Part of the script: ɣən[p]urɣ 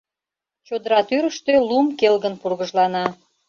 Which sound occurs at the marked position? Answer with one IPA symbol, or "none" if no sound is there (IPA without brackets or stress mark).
p